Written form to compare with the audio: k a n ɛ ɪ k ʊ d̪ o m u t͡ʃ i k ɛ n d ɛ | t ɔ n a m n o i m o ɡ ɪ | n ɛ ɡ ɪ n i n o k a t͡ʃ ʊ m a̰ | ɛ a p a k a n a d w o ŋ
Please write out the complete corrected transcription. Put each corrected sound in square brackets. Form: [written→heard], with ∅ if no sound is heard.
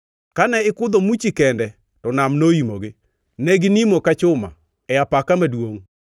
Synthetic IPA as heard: k a n ɛ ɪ k ʊ d̪ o m u t͡ʃ i k ɛ n d ɛ | t ɔ n a m n o i m o ɡ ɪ | n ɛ ɡ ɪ n i [n→m] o k a t͡ʃ ʊ m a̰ | ɛ a p a k a [n→m] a d w o ŋ